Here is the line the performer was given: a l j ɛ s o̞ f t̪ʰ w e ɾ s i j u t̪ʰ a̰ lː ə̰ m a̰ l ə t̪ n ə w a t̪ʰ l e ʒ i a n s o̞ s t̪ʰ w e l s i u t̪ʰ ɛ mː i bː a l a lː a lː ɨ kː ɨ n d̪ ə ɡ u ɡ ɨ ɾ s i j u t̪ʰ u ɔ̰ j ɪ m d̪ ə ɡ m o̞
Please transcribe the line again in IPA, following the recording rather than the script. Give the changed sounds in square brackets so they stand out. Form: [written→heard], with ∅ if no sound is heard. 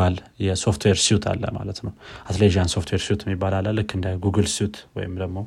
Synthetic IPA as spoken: a l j ɛ s o̞ f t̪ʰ w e ɾ s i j u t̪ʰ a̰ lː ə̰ m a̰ l ə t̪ n ə w a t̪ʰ l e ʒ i a n s o̞ [s→f] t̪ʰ w e [l→ɾ] s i u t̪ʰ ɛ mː i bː a l a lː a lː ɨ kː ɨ n d̪ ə ɡ u ɡ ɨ [ɾ→l] s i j u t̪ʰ [u→w] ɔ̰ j ɪ m d̪ ə ɡ m o̞